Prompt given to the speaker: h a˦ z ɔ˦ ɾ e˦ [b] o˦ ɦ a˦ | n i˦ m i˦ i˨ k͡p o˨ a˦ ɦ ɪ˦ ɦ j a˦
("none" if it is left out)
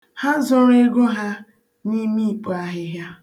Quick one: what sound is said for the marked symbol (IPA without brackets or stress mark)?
ɡ